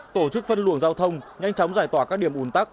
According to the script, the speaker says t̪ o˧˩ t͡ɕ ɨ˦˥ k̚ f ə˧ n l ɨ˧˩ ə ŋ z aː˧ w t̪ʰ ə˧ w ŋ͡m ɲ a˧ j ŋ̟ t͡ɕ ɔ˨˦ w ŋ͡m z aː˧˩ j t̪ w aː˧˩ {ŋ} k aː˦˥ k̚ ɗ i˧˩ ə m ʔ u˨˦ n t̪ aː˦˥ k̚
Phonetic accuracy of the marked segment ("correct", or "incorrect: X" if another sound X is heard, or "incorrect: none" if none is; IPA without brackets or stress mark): incorrect: none